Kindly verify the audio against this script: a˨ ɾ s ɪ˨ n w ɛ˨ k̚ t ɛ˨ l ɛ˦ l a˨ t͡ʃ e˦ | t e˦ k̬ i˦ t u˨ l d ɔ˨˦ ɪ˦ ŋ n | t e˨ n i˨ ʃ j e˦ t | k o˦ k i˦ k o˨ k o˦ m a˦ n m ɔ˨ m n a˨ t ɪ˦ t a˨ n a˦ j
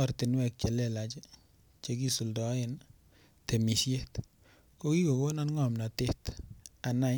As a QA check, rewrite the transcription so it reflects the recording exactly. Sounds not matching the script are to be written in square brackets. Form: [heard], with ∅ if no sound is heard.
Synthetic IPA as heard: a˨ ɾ [t] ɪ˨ n w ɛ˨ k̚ [t͡ʃ] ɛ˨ l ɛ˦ l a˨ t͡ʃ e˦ | [t͡ʃ] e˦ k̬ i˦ [s] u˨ l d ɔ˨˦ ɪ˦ [∅] n | t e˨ [m] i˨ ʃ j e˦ t | k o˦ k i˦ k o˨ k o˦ [n] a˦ n [ŋ] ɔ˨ m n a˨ t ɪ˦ t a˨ n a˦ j